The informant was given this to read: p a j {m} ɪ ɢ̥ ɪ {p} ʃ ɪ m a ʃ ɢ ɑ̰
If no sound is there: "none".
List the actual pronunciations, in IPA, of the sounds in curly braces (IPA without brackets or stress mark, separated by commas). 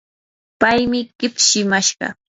m, p